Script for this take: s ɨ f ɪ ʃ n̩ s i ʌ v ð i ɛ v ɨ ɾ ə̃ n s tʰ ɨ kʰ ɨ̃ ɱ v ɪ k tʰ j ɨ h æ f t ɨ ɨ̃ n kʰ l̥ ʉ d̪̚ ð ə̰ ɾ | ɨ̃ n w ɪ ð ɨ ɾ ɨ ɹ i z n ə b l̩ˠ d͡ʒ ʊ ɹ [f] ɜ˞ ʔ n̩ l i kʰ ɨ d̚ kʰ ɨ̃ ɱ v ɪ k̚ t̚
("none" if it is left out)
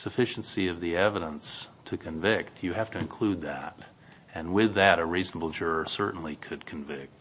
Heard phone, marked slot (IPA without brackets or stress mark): s